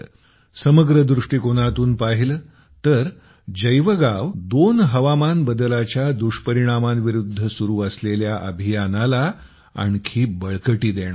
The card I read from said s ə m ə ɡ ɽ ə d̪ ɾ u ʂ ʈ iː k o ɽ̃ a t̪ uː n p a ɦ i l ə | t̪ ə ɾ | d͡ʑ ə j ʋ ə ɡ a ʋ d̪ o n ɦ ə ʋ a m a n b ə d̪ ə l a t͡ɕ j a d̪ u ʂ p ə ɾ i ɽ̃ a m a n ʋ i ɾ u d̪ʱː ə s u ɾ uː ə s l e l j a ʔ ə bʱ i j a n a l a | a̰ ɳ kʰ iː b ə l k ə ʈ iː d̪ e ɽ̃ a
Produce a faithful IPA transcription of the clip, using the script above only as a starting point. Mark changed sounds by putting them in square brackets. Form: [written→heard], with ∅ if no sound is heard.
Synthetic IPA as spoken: s ə m ə ɡ [ɽ→ɾ] ə d̪ ɾ u ʂ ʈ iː k o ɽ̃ a t̪ uː n p a ɦ i l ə | t̪ ə ɾ | d͡ʑ ə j ʋ ə ɡ a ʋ d̪ o n ɦ ə ʋ a m a n b ə d̪ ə l a t͡ɕ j a d̪ u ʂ p ə ɾ i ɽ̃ a m a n ʋ i ɾ u d̪ʱː ə s u ɾ uː ə s l e l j a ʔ ə bʱ i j a n a l a | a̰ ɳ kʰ iː b ə [l→ɭ] k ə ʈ iː d̪ e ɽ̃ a